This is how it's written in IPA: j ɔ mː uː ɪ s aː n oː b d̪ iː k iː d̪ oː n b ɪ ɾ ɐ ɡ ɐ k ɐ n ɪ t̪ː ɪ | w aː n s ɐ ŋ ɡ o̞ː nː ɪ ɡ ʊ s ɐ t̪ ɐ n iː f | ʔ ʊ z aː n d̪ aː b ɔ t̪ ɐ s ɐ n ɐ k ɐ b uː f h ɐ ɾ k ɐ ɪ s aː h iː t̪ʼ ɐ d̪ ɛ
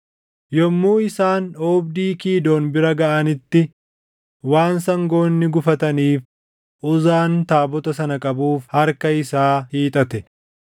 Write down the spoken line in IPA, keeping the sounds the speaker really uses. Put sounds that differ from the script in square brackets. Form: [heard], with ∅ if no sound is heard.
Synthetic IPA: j ɔ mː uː ɪ s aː n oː b d̪ iː k iː d̪ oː n b ɪ ɾ ɐ ɡ ɐ [ʔ] ɐ n ɪ t̪ː ɪ | w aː n s ɐ ŋ ɡ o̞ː nː ɪ ɡ ʊ [f] ɐ t̪ ɐ n iː f | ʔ ʊ z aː n [t̪] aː b ɔ t̪ ɐ s ɐ n ɐ [kʼ] ɐ b uː f h ɐ ɾ k ɐ ɪ s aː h iː t̪ʼ ɐ [t̪] ɛ

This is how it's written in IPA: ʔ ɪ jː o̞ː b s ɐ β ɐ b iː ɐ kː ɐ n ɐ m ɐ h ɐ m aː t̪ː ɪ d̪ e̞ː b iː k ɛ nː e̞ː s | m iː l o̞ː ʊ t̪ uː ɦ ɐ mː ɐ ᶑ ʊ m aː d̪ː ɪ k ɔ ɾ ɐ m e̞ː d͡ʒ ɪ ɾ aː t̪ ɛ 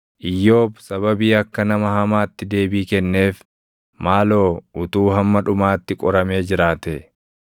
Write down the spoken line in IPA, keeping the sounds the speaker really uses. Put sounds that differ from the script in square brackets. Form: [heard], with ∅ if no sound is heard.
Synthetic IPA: ʔ ɪ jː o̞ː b s ɐ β ɐ b iː ɐ kː ɐ n ɐ m ɐ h ɐ m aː t̪ː ɪ d̪ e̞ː b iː k ɛ nː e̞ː [f] | m [aː] l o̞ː ʊ t̪ uː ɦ ɐ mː ɐ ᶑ ʊ m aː [t̪ː] ɪ [kʼ] ɔ ɾ ɐ m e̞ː d͡ʒ ɪ ɾ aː t̪ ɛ

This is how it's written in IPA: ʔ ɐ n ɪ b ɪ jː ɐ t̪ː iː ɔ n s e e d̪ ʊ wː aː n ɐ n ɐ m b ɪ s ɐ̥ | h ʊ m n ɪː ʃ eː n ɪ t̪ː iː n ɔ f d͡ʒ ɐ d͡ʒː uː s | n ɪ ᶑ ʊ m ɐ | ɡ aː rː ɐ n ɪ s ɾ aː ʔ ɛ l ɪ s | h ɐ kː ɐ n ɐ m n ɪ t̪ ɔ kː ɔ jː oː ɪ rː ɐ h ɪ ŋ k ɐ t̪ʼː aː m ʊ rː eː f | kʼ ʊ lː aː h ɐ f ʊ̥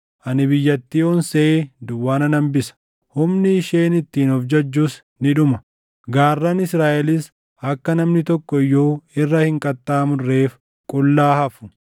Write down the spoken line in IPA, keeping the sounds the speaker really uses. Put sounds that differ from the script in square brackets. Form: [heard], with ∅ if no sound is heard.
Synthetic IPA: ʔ ɐ n ɪ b ɪ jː ɐ t̪ː iː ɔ n s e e d̪ ʊ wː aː n ɐ n ɐ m b ɪ s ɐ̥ | h ʊ m n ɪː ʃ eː n ɪ t̪ː iː n ɔ f d͡ʒ ɐ d͡ʒː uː s | n ɪ ᶑ ʊ m ɐ | ɡ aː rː ɐ n ɪ s ɾ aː ʔ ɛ l ɪ s | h ɐ kː ɐ n ɐ m n ɪ t̪ ɔ kː ɔ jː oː ɪ rː ɐ h ɪ ŋ [kʼ] ɐ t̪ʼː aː m ʊ rː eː f | kʼ ʊ lː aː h ɐ f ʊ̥

